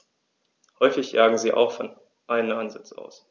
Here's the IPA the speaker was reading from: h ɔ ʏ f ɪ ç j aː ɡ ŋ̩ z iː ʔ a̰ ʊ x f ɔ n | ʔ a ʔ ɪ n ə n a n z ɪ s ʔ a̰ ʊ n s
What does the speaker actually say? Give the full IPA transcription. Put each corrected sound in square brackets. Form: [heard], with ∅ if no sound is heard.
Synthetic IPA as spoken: h ɔ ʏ f ɪ ç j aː ɡ ŋ̩ z iː ʔ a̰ ʊ x f ɔ n | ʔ a [∅] ɪ n ə n a n z ɪ [t͡s] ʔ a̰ ʊ [∅] s